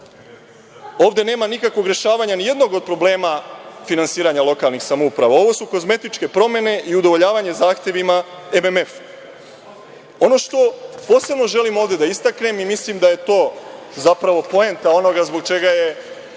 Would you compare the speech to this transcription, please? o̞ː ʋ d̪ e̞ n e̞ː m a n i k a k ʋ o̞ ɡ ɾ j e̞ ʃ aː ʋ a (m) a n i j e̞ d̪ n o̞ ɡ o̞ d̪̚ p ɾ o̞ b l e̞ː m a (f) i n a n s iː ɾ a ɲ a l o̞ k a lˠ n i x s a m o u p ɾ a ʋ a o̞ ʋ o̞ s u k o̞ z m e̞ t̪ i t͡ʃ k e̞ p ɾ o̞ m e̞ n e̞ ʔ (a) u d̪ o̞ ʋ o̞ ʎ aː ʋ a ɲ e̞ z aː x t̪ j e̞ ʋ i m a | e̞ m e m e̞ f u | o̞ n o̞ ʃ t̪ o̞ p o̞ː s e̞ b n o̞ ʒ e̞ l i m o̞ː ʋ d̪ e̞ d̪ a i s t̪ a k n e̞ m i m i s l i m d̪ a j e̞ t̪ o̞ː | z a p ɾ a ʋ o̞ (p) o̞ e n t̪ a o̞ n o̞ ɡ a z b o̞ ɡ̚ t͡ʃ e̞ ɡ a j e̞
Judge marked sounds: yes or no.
no, yes, no, yes

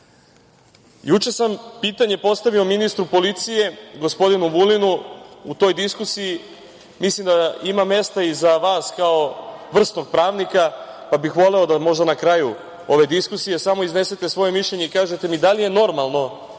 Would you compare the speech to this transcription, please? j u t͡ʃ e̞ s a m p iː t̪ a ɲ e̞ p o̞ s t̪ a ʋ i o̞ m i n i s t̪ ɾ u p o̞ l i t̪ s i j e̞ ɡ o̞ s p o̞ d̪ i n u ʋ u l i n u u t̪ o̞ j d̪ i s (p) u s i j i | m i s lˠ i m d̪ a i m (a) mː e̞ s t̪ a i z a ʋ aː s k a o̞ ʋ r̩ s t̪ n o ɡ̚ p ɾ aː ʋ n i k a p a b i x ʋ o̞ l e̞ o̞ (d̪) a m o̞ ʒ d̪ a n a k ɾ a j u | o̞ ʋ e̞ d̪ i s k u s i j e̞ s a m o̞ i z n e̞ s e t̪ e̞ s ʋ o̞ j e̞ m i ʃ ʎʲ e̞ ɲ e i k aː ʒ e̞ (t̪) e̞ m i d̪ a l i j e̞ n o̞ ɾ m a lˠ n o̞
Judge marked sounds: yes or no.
no, yes, yes, yes

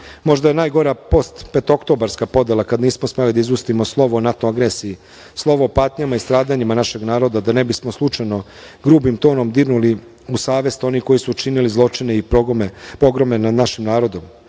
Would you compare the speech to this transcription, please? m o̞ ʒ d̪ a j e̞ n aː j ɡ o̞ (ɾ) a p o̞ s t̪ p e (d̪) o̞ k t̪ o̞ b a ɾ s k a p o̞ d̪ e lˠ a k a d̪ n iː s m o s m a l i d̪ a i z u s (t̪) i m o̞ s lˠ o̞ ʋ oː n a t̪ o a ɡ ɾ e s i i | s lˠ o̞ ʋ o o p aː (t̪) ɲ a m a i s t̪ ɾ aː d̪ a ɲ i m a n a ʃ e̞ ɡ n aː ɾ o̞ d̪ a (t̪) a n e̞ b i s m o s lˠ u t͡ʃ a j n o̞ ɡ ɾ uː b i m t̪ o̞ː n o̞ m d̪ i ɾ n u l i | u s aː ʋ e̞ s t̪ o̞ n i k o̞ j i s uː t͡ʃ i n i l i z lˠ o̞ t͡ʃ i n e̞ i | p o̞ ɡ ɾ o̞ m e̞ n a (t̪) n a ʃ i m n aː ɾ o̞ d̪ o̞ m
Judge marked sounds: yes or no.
yes, no, yes, yes, no, no

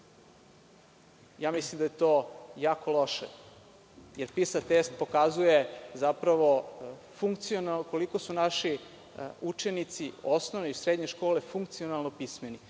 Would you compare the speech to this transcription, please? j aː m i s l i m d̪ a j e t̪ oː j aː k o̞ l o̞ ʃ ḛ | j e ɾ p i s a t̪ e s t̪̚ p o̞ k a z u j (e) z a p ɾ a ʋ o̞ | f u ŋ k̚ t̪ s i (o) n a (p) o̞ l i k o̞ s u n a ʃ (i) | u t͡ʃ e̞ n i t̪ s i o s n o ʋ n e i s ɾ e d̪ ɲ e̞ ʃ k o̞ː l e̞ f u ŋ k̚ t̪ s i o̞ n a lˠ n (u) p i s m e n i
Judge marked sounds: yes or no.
yes, yes, no, yes, no

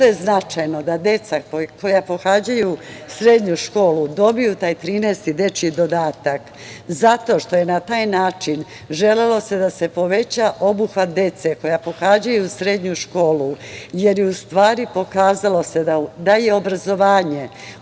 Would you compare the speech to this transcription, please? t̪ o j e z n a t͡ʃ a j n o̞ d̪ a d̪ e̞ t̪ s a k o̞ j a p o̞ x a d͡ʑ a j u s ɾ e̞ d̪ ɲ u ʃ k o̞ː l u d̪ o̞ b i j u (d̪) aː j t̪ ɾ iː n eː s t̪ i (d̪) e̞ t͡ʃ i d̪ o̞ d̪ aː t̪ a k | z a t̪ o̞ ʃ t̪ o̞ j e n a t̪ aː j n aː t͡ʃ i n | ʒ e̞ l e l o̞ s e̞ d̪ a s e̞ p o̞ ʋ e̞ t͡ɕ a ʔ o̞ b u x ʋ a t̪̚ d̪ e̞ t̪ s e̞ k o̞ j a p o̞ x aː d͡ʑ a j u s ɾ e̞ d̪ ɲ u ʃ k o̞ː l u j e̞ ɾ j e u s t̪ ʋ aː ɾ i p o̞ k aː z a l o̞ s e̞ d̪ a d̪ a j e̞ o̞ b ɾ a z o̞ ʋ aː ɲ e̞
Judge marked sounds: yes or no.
no, yes

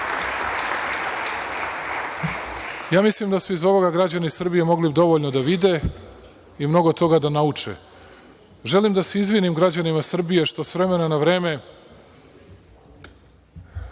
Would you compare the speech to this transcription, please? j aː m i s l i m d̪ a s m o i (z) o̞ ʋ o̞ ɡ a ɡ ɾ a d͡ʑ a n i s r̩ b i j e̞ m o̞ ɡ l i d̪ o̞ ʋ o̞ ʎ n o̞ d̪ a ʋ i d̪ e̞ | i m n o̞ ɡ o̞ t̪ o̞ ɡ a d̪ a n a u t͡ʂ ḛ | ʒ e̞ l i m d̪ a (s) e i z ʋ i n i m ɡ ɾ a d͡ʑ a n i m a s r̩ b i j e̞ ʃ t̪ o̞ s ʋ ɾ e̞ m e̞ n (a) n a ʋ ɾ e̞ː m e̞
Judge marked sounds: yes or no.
yes, yes, yes

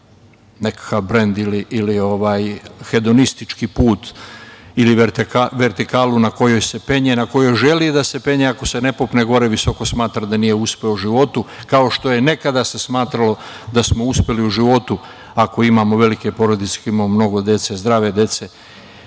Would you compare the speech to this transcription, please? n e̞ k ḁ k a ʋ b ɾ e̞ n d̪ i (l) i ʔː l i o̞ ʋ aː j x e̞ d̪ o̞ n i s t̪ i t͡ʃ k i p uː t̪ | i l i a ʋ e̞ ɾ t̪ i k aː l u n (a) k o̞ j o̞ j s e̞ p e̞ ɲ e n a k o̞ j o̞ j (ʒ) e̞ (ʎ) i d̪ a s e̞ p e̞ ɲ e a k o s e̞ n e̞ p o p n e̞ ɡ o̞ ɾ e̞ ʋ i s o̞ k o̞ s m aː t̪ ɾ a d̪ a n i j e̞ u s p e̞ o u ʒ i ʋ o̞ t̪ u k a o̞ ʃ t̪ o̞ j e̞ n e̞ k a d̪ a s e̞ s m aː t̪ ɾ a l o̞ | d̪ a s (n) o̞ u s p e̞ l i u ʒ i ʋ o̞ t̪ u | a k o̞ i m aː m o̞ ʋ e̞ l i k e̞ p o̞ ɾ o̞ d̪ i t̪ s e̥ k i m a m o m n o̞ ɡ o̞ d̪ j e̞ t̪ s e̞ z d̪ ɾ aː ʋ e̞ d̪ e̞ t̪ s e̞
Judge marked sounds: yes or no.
yes, yes, yes, no, no

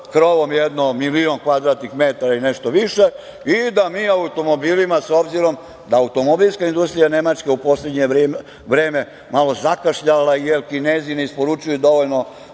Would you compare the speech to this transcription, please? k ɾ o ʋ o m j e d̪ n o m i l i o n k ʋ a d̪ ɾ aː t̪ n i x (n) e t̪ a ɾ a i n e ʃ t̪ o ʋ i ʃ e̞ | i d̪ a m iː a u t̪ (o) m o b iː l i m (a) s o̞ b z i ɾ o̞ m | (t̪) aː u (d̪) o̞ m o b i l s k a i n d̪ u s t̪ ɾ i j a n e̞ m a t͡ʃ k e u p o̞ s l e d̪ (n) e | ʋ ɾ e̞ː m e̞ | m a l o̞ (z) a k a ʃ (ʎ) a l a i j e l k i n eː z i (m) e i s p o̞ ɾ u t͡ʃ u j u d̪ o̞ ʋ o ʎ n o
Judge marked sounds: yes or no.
no, yes, yes, no, no, no, yes, yes, no

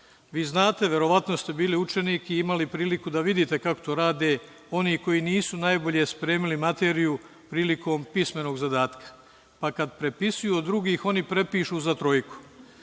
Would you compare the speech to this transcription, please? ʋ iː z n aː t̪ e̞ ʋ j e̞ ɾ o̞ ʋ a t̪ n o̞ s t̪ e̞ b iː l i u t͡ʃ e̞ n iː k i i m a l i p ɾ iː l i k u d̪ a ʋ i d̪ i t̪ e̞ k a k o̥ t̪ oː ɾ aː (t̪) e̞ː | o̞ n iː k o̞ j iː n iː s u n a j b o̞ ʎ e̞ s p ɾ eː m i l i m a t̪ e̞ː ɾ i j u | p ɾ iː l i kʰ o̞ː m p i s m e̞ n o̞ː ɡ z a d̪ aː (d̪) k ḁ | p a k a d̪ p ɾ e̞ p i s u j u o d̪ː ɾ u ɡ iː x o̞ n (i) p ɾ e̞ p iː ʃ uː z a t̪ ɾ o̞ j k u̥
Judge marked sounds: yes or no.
no, no, yes

